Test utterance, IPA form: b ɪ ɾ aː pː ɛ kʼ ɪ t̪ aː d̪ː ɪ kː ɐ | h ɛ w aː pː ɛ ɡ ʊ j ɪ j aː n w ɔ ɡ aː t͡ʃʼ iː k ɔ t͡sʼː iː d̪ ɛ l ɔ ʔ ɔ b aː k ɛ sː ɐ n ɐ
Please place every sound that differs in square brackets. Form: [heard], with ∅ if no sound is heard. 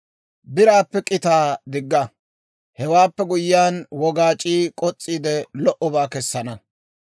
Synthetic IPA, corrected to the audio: b ɪ ɾ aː pː ɛ kʼ ɪ t̪ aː [d̪] ɪ [ɡː] ɐ | h ɛ w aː pː ɛ ɡ ʊ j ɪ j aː n w ɔ ɡ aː t͡ʃʼ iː [kʼ] ɔ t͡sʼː iː d̪ ɛ l ɔ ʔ ɔ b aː k ɛ sː ɐ n ɐ